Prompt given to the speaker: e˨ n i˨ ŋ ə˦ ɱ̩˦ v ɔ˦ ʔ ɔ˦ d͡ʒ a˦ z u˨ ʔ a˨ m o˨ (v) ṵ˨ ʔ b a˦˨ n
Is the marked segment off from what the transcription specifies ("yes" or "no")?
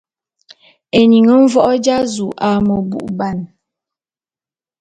yes